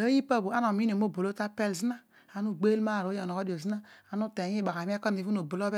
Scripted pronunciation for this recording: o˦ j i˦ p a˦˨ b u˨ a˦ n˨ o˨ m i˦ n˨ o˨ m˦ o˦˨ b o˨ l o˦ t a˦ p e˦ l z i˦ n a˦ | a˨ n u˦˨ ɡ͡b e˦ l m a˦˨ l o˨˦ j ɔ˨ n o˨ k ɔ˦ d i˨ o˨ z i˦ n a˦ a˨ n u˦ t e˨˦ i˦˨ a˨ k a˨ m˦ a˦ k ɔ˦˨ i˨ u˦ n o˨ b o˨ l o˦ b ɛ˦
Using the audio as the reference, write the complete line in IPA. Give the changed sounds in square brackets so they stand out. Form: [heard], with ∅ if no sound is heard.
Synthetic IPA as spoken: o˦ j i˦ p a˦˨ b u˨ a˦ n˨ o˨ m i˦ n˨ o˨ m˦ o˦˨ b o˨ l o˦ t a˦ p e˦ l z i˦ n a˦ | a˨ n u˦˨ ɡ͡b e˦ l m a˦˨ [ɾ] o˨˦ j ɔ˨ n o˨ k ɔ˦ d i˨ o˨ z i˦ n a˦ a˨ n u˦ t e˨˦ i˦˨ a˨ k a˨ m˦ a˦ k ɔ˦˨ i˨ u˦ n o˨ b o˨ l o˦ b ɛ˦